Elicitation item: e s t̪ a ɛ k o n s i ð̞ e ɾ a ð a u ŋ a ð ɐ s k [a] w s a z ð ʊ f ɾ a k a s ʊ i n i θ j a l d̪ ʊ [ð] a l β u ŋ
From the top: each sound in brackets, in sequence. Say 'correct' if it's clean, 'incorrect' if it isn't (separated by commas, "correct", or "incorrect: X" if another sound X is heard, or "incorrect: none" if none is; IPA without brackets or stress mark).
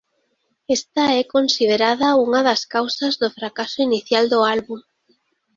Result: correct, incorrect: none